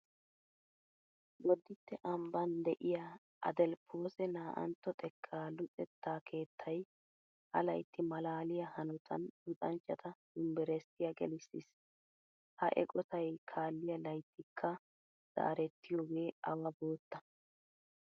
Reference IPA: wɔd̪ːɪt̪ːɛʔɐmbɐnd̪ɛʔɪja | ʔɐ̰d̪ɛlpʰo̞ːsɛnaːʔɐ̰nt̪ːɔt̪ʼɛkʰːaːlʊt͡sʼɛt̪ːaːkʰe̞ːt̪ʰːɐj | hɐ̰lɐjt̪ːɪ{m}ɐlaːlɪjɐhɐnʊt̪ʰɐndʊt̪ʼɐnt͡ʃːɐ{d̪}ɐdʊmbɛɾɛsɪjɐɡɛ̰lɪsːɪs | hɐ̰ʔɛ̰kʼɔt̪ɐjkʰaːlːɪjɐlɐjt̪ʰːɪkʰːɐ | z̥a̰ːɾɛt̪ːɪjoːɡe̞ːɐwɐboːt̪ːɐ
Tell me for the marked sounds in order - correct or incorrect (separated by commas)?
correct, incorrect